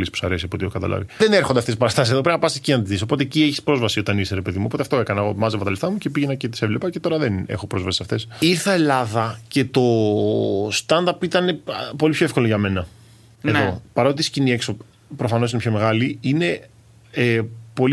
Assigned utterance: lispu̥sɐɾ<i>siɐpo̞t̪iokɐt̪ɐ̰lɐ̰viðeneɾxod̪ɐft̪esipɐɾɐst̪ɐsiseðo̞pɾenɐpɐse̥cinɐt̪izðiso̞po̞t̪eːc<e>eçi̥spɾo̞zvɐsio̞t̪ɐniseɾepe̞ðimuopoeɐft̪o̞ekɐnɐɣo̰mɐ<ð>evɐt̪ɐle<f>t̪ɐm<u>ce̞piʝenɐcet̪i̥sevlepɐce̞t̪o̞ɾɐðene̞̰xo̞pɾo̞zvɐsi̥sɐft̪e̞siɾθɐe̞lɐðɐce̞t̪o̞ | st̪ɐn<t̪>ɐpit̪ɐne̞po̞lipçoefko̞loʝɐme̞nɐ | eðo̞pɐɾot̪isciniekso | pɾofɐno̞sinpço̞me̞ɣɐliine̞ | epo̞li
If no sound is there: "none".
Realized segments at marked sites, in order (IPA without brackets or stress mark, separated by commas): e, i, z, f, u, d̪